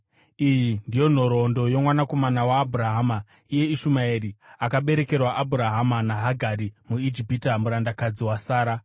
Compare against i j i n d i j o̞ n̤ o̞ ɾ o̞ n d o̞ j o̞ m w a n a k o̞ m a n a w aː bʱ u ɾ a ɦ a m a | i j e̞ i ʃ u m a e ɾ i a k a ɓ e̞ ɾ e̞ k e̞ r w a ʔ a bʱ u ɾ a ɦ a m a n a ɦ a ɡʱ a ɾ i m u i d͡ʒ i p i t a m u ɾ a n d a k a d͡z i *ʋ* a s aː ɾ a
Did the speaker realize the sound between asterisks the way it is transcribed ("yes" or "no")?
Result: no